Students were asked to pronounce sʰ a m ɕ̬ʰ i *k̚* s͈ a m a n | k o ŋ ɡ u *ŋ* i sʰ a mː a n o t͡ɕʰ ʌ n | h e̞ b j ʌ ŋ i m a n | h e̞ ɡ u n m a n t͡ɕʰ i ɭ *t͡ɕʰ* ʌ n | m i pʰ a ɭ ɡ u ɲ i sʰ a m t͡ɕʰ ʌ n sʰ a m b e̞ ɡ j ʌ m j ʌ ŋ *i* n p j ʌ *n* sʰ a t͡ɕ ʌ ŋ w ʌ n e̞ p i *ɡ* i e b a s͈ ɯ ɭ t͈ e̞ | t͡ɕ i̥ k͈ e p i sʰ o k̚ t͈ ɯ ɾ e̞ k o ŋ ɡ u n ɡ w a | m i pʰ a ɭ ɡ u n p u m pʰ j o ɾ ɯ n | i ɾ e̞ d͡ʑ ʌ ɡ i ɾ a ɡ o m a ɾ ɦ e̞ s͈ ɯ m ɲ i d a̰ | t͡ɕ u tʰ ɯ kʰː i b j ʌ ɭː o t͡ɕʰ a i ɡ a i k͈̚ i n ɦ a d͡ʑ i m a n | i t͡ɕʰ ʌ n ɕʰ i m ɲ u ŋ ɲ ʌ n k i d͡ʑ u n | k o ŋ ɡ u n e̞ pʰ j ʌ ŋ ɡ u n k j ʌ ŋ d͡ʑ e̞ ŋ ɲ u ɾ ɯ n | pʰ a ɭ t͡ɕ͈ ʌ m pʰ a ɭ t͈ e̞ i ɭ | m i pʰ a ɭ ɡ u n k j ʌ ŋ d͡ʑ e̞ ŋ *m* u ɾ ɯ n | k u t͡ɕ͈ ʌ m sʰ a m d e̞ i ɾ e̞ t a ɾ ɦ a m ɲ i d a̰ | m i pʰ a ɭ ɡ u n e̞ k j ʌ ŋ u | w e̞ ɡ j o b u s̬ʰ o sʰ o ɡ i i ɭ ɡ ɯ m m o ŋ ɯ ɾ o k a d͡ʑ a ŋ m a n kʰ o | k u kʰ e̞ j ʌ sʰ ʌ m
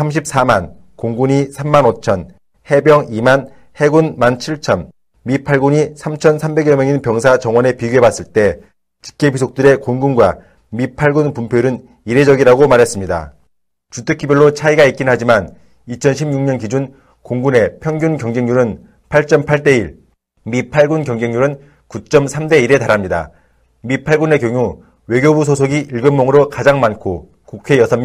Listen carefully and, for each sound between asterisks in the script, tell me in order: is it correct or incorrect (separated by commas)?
incorrect, incorrect, correct, correct, incorrect, correct, incorrect